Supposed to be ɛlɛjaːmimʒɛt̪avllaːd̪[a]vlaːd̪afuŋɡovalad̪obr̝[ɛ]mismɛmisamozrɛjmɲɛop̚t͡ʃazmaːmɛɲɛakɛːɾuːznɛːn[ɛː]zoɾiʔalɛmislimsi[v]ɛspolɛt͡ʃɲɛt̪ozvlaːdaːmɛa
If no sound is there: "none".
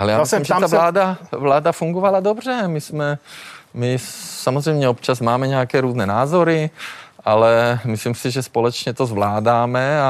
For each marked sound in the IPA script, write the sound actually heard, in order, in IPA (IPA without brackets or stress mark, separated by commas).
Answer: a, ɛ, aː, ʒ